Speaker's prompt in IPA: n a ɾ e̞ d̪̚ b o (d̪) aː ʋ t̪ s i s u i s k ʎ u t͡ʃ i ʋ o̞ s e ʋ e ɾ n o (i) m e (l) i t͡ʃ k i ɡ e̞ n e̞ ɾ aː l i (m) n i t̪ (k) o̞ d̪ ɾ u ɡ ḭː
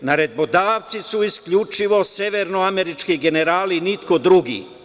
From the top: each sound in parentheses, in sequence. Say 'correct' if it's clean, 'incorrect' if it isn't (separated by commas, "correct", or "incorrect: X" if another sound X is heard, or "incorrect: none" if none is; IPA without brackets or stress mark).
correct, incorrect: a, incorrect: ɾ, incorrect: none, correct